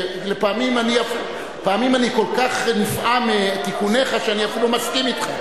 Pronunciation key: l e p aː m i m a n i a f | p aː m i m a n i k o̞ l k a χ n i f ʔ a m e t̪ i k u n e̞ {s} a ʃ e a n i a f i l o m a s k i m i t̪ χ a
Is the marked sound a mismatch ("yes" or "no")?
yes